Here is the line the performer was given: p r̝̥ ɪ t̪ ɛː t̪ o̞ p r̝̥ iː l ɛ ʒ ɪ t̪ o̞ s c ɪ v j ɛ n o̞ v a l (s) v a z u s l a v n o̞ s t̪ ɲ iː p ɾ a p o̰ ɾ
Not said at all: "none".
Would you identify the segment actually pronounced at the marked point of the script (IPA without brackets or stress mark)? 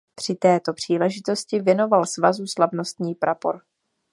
s